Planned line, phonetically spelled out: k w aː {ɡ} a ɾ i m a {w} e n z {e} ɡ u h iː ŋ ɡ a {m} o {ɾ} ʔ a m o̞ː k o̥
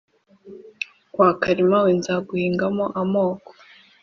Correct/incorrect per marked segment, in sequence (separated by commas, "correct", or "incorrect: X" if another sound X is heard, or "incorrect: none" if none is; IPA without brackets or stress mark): incorrect: k, correct, incorrect: a, correct, incorrect: none